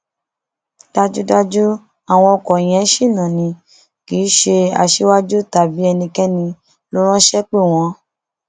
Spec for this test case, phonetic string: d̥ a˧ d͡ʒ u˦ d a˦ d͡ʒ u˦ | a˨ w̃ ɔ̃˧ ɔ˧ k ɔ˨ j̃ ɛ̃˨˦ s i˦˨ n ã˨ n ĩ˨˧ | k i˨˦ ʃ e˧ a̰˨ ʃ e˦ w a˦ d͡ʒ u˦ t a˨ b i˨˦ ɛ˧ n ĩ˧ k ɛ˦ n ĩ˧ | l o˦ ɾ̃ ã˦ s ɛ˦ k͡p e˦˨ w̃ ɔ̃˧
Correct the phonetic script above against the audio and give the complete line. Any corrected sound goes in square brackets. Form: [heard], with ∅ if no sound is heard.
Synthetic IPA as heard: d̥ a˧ d͡ʒ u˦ d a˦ d͡ʒ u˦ | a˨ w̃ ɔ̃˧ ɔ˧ k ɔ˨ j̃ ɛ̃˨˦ [ʃ] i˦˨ n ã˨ n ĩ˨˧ | k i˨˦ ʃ e˧ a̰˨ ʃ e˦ w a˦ d͡ʒ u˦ t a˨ b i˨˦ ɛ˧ n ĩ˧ k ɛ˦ n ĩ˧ | l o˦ ɾ̃ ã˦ [ʃ] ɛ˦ k͡p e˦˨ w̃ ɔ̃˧